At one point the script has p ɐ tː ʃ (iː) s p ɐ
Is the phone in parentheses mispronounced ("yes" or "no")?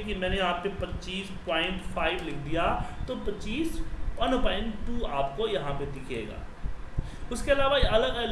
no